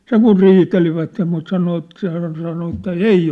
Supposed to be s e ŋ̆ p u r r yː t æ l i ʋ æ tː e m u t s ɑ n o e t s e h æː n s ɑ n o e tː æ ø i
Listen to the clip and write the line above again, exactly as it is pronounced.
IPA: s e ŋ̆ k u r r iː t e l i ʋ æ tː e m u t s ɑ n o e t s e h æː n s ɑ n o e tː æ e i